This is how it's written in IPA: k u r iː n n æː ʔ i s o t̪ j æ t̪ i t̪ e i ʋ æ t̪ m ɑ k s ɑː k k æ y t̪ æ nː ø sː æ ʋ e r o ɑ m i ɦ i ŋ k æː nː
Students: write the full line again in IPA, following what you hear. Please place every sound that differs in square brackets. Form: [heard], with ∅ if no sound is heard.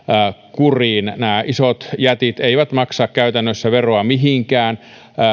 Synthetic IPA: k u r iː n n æː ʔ i s o t̪ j æ t̪ i t̪ e i ʋ æ t̪ m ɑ k s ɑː k k æ y t̪ æ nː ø sː æ ʋ e r o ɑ m i ɦ i ŋ k æː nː